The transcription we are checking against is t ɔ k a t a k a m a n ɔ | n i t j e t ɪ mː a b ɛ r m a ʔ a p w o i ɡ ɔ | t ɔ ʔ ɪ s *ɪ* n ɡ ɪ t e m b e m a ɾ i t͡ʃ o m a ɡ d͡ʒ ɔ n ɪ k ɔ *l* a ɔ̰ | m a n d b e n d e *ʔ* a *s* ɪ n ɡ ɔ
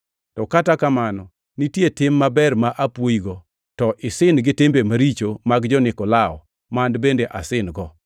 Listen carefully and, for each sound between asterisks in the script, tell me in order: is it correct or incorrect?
correct, correct, correct, correct

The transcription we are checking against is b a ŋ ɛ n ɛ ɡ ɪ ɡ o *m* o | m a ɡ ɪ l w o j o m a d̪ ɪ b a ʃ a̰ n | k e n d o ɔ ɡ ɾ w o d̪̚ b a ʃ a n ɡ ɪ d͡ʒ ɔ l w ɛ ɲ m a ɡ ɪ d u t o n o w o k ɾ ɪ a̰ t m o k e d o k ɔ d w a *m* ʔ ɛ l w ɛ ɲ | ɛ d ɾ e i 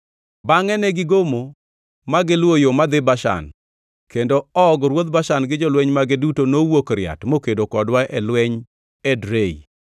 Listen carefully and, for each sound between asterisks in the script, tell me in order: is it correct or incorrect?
correct, incorrect

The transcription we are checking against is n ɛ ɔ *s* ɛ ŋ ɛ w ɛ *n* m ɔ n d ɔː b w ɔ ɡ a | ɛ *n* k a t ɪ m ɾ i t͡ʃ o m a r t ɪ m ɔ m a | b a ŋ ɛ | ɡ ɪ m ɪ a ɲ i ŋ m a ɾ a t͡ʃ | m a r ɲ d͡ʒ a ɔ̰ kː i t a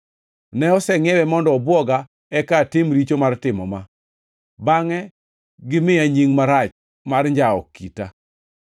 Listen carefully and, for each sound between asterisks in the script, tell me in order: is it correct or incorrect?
correct, incorrect, incorrect

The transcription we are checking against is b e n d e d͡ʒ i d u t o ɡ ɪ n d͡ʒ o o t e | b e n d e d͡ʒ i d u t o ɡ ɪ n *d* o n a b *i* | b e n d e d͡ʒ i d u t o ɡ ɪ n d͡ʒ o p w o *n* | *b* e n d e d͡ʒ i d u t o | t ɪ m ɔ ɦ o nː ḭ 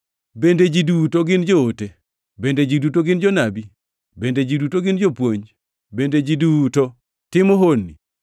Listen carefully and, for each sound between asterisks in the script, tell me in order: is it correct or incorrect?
incorrect, correct, incorrect, correct

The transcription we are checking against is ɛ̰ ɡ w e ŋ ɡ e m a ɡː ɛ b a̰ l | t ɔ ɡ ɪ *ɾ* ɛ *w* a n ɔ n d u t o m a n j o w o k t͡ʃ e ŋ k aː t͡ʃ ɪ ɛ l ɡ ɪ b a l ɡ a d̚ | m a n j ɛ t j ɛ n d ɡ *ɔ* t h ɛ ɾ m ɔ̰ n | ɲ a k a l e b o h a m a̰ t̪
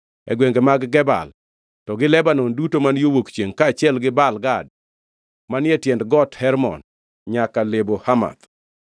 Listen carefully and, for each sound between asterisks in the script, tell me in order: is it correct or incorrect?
incorrect, incorrect, correct

